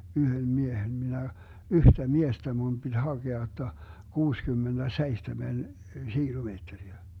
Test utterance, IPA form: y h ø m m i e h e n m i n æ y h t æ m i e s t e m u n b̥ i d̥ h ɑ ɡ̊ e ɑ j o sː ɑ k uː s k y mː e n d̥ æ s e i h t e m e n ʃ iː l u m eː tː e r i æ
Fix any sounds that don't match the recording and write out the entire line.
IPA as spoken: y h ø m m i e h e n m i n æ y h t æ m i e s t æ m u n b̥ i d̥ h ɑ ɡ̊ e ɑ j o tː ɑ k uː s k y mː e n d̥ æ s e i h t e m e n ʃ iː l u m eː tː e r i æ

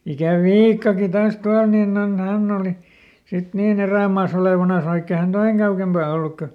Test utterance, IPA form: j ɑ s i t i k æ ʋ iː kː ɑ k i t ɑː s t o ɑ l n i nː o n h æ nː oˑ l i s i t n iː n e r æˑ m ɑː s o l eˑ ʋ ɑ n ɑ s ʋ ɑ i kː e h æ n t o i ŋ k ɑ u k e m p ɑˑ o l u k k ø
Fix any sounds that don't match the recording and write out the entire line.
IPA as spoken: j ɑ s i t i k æ ʋ iː kː ɑ k i t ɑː s t u ɑ l n i nː o n h æ nː oˑ l i s i t n iː n e r æˑ m ɑː s o l eˑ ʋ ɑ n ɑ s ʋ ɑ i kː e h æ n t o i ŋ k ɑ u k e m p ɑˑ o lː u k k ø

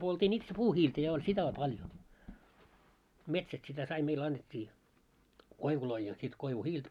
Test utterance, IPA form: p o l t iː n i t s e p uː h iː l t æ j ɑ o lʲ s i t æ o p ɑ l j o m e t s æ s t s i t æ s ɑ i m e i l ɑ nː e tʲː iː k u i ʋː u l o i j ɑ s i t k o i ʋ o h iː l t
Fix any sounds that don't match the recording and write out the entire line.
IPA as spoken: p o l t iː n i t s e p uː h iː l t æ j ɑ o lʲ s i t æ o p ɑ l j o m e t s æ s t s i t æ s ɑ i m e i l ɑ nː e tʲː iː k o i ʋ u l o i j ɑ s i t k o i ʋ u h iː l t

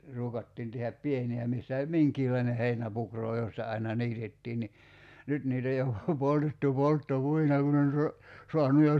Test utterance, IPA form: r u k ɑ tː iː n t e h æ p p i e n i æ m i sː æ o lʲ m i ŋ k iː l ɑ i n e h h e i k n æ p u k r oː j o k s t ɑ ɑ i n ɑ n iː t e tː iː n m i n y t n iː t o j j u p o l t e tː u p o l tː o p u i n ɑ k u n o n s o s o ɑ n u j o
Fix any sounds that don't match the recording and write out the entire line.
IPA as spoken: r uː k ɑ tː iː n t e h æ p p i e n i æ m i sː æ o lʲ m i ŋ k iː l ɑ i n e h h e i n æ p u k r oː j o s t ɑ ɑ i n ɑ n iː t e tː iː n n i n y t n iː t o j j o p o l t e tː u p o l tː o p u i n ɑ k u n o n s o s o ɑ n u j o

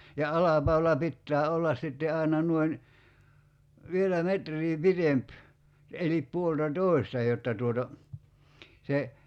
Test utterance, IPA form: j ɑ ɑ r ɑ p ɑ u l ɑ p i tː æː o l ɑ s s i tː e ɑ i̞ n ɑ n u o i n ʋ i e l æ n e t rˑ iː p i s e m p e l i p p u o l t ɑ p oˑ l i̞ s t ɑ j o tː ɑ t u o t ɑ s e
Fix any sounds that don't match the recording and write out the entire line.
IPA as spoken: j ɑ ɑ l ɑ p ɑ u l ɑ p i tː æː o lː ɑ s s i tː e ɑ i̞ n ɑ n u o i n ʋ i e l æ m e t rˑ iː p i t e m p e l i p p u o l t ɑ t oˑ i̞ s t ɑ j o tː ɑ t u o t ɑ s e

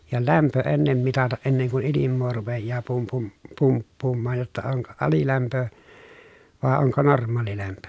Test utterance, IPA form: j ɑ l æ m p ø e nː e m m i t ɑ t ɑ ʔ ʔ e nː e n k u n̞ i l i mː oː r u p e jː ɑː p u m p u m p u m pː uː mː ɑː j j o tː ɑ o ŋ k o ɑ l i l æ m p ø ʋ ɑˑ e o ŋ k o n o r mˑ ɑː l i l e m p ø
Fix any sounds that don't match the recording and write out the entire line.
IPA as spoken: j ɑ l æ m p ø e nː e m m i t ɑ t ɑ ʔ ʔ e nː e ŋ k u n̞ i l i mː oː r u p e jː ɑː p u m p u m p u m pː uː mː ɑː j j o tː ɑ o ŋ k o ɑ l i l æ m p ø ʋ ɑˑ e o ŋ k o n o r mˑ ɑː l i l æ m p ø

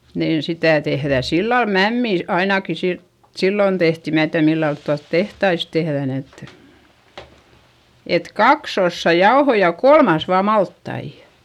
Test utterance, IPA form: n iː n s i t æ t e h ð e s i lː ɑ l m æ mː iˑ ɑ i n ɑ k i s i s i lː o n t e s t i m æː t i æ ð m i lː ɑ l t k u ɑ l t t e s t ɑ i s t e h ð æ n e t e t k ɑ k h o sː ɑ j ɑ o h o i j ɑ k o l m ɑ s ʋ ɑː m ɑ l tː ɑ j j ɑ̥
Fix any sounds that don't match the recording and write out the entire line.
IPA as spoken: n iː n s i t æ t e h ð æ s i lː ɑ l m æ mː iˑ ɑ i n ɑ k i s i s i lː o n t e h t i m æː t i æ ð m i lː ɑ l t t u ɑ l t t e h t ɑ i s t e h ð æ n e t e t k ɑ k s o sː ɑ j ɑ o h o i j ɑ k o l m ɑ s ʋ ɑː m ɑ l tː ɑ i j ɑ̥

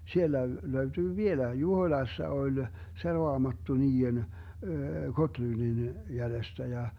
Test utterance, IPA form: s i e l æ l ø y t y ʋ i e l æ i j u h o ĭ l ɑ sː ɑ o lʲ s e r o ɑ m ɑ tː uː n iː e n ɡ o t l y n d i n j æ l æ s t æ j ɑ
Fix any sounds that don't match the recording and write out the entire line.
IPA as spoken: s i e lː æ l ø y t yː ʋ i e l æ i j u h o ĭ l ɑ sː ɑ o lʲ s e r o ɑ m ɑ tː u n iː e n ɡ o t l y n d i n j æ l e s t æ j ɑ

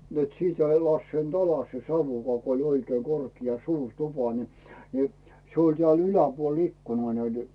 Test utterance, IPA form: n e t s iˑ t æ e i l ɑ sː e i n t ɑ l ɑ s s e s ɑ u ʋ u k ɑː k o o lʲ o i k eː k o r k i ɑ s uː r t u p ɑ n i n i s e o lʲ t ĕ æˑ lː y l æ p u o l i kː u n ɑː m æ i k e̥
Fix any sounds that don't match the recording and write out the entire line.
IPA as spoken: n e t s iˑ t æ e i l ɑ sː e i n t ɑ l ɑ s s e s ɑ u ʋ u k ɑː k o o lʲ o i k eː k o r k i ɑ s uː r t u p ɑ n i n i s e o lʲ t ĕ æˑ l y l æ p u o l i kː u n ɑː n æ i t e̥

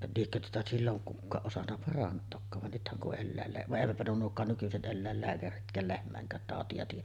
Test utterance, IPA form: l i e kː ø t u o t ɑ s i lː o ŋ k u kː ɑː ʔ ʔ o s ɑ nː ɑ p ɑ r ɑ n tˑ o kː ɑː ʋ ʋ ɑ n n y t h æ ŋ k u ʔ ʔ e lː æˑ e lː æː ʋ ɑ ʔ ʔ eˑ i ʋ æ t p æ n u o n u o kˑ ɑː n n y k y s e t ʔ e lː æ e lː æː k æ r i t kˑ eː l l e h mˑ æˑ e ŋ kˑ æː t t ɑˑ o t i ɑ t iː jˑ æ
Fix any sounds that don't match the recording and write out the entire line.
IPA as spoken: l i e kː ø t u o t ɑ s i lː o ŋ k u kː ɑː ʔ ʔ o s ɑ nː ɑ p ɑ r ɑ n tˑ oː kː ɑː ʋ ʋ ɑ n n y t h æ ŋ k u ʔ ʔ e lː æˑ e lː æː ʋ ɑ ʔ ʔ eˑ i ʋ æ t p æ n u o n u o kˑ ɑː n n y k y s e t ʔ e lː æ e lː æː k æ r i t kˑ æː l l e h mˑ æˑ e ŋ kˑ æː t t ɑˑ o t i ɑ t iː jˑ æ

